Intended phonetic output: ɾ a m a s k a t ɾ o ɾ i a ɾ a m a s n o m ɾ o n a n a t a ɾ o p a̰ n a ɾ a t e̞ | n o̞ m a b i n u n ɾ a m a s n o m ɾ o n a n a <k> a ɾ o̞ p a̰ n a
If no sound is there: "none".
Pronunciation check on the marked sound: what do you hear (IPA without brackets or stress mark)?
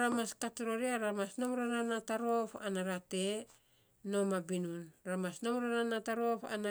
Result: t